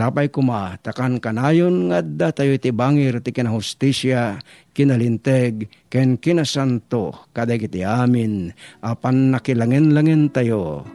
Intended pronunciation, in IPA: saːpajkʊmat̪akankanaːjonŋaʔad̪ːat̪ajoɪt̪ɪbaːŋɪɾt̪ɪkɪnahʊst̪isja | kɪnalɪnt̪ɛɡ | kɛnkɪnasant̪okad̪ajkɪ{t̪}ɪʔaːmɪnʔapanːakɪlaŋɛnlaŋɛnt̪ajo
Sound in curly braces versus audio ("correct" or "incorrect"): correct